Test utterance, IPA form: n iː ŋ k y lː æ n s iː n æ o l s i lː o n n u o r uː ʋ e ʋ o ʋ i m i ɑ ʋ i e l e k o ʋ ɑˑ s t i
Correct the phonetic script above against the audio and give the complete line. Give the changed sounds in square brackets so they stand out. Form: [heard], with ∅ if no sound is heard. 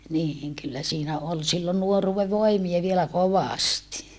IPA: n iː ŋ k y lː æ [∅] s iː n æ o l s i lː o n n u o r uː ʋ e ʋ o [∅] i m i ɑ ʋ i e l [æ] k o ʋ ɑˑ s t i